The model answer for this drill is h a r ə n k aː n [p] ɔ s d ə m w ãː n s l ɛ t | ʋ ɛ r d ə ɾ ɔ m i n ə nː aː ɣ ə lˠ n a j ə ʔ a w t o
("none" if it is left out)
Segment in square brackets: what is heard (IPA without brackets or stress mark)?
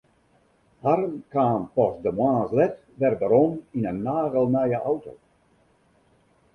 p